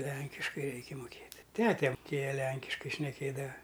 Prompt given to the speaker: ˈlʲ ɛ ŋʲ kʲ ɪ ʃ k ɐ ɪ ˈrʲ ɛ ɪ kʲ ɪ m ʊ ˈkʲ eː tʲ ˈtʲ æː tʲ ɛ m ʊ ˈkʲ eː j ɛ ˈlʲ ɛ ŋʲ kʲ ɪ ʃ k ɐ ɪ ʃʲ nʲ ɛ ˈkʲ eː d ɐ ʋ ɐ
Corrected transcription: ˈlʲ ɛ ŋʲ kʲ ɪ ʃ k ɐ ɪ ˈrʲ ɛ ɪ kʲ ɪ m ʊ ˈkʲ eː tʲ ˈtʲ æː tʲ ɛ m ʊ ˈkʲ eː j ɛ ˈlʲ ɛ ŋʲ kʲ ɪ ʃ k ɐ ɪ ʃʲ nʲ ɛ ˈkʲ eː d ɐ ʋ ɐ